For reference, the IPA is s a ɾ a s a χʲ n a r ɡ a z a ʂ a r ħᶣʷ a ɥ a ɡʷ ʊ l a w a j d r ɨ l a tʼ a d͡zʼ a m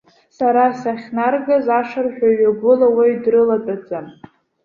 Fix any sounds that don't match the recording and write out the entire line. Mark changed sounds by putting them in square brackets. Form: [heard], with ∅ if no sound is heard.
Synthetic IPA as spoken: s a ɾ a s a χʲ n a r ɡ a z a ʂ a r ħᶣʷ a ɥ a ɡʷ ʊ l a w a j d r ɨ l a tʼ a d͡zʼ a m